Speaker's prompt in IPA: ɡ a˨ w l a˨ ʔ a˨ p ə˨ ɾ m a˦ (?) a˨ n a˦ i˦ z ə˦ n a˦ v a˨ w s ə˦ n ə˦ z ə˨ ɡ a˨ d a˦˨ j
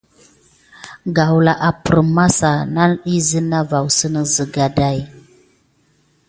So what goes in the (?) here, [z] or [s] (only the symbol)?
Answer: s